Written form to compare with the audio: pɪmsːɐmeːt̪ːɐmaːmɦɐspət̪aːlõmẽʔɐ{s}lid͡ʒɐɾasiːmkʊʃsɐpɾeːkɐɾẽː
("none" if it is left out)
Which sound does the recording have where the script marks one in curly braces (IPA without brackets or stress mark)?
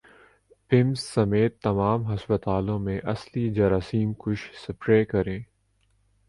s